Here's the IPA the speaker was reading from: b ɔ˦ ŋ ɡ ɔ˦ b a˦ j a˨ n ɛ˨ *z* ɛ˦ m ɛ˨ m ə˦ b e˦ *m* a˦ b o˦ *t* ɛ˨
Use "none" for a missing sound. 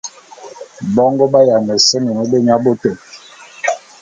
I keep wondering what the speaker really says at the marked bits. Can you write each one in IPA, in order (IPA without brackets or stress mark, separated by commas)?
s, ɲ, t